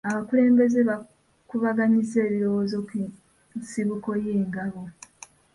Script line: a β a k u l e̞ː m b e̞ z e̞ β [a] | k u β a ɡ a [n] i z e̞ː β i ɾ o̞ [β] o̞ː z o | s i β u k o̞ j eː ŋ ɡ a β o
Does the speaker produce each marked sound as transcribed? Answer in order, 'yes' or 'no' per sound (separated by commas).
yes, no, no